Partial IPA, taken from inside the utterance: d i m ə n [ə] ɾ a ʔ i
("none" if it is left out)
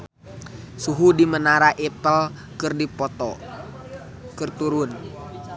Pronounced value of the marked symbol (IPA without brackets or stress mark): a